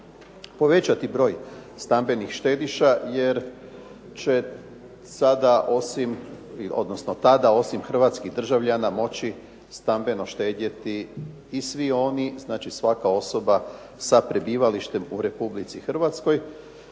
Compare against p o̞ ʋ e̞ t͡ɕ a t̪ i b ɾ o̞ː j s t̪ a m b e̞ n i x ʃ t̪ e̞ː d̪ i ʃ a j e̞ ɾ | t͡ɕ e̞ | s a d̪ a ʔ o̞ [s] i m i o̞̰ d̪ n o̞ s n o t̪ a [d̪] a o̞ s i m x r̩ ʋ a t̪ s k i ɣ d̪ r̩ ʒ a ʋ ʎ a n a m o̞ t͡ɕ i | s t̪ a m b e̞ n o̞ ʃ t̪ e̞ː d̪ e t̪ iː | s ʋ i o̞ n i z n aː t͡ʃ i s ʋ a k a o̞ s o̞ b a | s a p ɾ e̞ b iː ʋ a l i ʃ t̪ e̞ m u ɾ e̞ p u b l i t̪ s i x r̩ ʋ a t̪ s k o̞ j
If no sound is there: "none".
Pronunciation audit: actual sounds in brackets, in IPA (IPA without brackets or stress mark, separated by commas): s, d̪